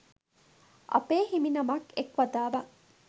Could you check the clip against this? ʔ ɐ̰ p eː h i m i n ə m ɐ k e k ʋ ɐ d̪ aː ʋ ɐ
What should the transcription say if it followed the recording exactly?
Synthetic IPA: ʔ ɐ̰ p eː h i m i n ɐ m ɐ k e k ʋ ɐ d̪ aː ʋ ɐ